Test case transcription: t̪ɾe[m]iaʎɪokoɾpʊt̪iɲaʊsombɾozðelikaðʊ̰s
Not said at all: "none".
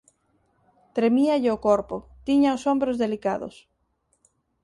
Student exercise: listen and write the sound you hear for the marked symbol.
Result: m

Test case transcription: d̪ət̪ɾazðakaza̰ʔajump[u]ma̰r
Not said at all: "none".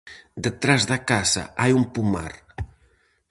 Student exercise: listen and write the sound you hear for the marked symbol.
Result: u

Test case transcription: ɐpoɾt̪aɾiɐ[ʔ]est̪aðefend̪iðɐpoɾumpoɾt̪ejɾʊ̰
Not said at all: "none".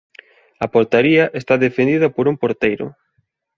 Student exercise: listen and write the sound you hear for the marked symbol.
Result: ʔ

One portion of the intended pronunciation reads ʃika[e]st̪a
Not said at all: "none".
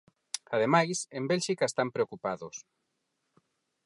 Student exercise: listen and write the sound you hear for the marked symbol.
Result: e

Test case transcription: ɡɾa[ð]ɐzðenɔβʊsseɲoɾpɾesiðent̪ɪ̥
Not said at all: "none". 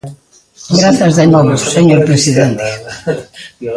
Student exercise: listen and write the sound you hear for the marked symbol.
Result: θ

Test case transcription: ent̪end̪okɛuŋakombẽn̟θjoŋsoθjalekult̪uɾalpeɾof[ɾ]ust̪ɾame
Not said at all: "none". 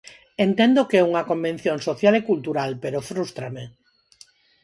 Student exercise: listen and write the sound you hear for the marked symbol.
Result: ɾ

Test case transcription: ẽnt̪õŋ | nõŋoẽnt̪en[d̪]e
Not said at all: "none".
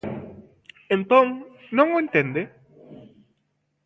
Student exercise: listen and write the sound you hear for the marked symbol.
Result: d̪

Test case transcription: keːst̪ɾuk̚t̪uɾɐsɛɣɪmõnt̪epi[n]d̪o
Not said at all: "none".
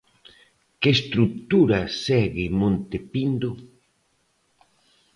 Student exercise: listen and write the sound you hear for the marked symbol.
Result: n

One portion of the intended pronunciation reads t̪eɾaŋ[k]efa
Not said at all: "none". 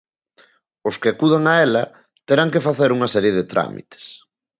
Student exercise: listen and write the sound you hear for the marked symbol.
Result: k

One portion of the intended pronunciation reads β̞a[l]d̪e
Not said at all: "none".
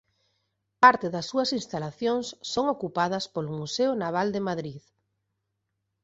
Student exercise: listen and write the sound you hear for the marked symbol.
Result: l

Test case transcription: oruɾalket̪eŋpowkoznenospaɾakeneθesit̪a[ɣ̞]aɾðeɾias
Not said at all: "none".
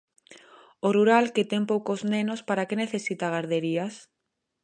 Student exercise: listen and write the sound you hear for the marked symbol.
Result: ɣ̞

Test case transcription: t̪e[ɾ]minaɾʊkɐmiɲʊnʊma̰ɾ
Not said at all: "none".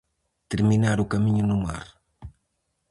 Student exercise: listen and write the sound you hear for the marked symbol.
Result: ɾ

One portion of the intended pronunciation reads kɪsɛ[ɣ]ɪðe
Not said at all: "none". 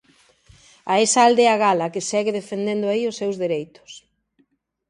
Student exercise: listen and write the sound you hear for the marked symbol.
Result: ɣ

